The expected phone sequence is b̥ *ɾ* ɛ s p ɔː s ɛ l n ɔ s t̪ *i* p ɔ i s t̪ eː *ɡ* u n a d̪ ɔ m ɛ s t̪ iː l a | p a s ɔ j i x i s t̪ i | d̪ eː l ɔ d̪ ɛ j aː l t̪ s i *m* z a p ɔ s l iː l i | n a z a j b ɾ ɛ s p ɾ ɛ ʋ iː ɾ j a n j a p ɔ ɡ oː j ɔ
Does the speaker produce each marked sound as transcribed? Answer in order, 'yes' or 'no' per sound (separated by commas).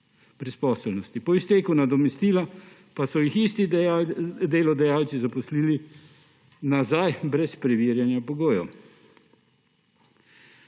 yes, yes, no, no